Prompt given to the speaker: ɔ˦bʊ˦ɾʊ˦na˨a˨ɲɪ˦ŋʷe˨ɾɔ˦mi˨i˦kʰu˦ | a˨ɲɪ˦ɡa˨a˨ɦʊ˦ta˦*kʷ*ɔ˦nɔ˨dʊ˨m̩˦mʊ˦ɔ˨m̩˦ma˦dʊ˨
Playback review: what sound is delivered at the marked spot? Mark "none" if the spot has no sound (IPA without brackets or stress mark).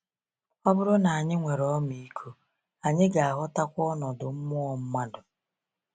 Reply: kʷ